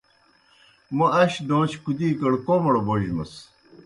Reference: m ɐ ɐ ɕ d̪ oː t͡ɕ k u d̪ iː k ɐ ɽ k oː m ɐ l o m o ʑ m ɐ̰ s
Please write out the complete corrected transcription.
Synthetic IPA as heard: m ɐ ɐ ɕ d̪ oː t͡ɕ k u d̪ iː k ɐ ɽ k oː m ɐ ɽ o b o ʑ m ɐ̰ s